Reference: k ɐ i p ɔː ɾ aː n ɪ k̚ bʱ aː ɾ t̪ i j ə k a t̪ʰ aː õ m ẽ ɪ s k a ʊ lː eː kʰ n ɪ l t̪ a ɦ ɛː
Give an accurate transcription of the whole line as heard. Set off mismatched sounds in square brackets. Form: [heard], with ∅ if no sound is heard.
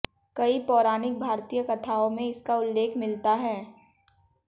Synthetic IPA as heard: k ɐ i p ɔː ɾ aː n ɪ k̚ bʱ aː ɾ t̪ i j ə k [ɐ] t̪ʰ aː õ m ẽ ɪ s k a ʊ lː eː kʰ [m] ɪ l t̪ a ɦ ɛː